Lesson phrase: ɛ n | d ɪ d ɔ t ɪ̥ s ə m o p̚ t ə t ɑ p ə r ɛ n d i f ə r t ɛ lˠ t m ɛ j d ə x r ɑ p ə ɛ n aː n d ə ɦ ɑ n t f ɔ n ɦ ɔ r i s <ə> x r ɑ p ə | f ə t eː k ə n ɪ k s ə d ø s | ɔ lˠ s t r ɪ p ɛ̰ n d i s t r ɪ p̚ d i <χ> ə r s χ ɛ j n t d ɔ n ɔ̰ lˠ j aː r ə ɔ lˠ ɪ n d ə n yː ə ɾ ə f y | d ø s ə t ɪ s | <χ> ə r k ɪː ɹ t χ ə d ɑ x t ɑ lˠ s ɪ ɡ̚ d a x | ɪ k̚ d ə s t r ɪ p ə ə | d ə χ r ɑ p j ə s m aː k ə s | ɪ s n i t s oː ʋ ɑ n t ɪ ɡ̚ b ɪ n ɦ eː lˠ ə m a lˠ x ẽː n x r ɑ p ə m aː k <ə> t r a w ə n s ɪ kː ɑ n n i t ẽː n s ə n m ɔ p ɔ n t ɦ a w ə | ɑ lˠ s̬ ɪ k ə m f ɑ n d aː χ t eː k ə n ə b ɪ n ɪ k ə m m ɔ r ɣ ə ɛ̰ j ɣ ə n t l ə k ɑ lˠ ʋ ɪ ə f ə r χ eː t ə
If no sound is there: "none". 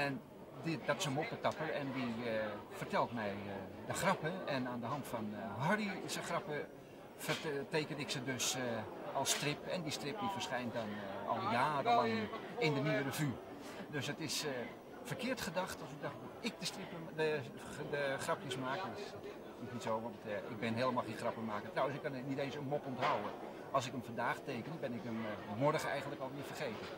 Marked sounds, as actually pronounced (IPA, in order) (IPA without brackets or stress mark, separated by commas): ə, f, f, ə